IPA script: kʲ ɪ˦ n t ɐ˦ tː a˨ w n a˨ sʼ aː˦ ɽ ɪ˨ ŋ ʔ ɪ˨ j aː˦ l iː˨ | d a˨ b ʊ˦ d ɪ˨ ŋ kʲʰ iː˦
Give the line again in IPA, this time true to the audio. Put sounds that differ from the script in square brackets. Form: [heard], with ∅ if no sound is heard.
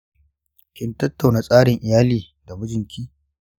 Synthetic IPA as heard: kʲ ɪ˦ n t ɐ˦ tː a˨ w n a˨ sʼ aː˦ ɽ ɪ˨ ŋ ʔ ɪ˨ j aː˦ l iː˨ | d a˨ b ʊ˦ [d͡ʒ] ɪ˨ ŋ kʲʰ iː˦